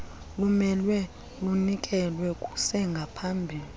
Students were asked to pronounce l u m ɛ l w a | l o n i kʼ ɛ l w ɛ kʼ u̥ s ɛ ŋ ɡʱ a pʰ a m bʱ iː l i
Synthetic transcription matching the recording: l u m ɛ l w ɛ | l u n i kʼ ɛ l w ɛ kʼ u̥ s ɛ ŋ ɡʱ a pʰ a m bʱ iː l i